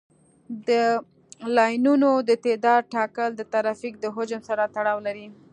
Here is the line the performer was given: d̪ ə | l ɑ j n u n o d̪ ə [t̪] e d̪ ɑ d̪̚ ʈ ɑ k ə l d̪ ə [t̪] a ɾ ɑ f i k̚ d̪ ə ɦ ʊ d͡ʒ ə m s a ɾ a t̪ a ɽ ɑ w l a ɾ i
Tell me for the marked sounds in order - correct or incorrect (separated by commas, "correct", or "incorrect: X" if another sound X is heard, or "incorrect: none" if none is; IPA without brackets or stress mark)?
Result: correct, correct